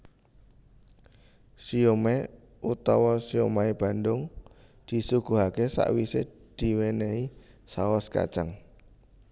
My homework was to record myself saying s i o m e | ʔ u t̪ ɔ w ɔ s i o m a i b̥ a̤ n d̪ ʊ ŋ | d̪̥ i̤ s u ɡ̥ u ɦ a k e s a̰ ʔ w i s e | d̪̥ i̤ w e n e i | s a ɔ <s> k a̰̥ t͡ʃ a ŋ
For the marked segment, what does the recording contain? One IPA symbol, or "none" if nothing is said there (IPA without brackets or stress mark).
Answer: s